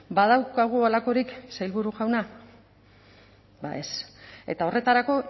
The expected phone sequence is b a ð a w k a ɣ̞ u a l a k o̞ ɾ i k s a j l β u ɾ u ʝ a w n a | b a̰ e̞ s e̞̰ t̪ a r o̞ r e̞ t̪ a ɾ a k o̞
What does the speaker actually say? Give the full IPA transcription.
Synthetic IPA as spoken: b a ð a w k a ɣ̞ u a l a k o̞ ɾ i k s a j l β u ɾ u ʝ a w n a | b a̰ e̞ s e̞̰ t̪ a o̞ r e̞ t̪ a ɾ a k o̞